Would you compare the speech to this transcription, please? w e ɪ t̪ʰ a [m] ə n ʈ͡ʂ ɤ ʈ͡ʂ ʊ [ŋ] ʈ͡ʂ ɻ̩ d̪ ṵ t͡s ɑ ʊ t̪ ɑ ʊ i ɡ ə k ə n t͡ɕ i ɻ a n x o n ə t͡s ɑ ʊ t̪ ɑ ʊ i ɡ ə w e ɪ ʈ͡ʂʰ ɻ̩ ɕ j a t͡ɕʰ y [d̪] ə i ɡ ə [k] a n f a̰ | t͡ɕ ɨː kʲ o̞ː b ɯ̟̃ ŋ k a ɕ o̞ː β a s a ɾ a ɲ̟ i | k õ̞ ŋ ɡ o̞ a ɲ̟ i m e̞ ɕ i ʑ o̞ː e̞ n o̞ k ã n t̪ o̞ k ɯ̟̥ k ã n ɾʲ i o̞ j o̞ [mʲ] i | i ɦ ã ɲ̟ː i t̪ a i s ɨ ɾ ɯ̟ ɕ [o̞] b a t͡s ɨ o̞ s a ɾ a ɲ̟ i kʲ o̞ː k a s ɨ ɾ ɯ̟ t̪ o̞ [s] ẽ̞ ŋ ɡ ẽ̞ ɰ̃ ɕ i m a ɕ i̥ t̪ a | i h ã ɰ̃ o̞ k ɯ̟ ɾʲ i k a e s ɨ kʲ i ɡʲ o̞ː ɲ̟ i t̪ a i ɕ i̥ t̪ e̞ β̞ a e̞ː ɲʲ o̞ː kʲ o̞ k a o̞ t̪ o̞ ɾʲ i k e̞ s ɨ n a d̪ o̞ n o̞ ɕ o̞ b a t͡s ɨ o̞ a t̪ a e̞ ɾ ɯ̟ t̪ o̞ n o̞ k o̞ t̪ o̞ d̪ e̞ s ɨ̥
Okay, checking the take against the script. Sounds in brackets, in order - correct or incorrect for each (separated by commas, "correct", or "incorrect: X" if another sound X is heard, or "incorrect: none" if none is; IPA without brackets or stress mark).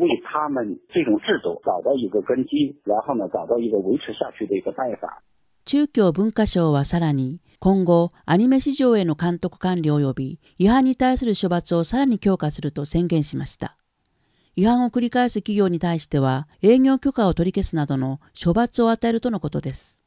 correct, correct, correct, incorrect: p, incorrect: bʲ, correct, correct